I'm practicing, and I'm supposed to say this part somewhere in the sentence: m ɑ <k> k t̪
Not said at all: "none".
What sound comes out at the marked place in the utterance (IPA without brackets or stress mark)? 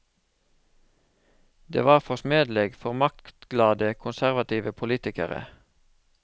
k